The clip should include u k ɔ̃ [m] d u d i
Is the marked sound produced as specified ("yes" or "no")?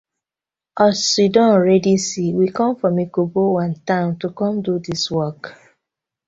yes